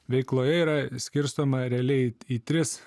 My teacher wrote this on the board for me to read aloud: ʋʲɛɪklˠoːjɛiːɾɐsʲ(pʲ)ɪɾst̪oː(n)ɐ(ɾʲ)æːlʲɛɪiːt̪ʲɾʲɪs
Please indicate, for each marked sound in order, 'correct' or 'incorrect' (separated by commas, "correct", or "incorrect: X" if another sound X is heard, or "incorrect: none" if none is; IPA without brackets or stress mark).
incorrect: kʲ, incorrect: m, correct